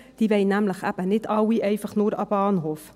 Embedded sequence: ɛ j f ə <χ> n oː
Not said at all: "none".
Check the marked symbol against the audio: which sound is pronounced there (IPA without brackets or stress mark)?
χ